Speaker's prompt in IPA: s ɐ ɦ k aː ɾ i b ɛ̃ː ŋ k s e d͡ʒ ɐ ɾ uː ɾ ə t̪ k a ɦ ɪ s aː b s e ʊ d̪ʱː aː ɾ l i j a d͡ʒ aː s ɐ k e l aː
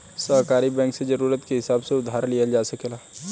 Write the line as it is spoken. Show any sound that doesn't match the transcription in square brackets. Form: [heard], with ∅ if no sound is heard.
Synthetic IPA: s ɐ ɦ k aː ɾ i b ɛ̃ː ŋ k s e d͡ʒ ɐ ɾ uː ɾ ə t̪ k [e] ɦ ɪ s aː b s e ʊ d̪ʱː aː ɾ l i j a d͡ʒ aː s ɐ k e l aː